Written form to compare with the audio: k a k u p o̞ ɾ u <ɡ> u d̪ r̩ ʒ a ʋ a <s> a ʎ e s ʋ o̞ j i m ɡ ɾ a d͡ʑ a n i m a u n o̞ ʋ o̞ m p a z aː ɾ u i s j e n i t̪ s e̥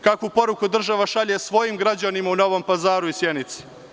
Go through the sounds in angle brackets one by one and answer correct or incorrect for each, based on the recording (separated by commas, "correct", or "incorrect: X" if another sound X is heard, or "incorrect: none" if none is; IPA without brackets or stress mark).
incorrect: k, incorrect: ʃ